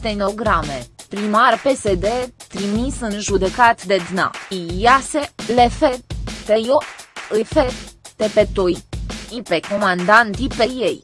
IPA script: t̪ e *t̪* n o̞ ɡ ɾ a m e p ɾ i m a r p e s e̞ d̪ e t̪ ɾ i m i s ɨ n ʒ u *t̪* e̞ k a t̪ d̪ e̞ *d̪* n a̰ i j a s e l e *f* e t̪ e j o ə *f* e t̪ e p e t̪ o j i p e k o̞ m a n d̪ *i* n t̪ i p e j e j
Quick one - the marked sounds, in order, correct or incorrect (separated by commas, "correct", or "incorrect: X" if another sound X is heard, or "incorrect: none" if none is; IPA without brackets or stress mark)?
incorrect: none, incorrect: d̪, correct, correct, correct, incorrect: a